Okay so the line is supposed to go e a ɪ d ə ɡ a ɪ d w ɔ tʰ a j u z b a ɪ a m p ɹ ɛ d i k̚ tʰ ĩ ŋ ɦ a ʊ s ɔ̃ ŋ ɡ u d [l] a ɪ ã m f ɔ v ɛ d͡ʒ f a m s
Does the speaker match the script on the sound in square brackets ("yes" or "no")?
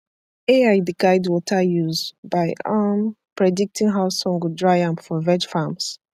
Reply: no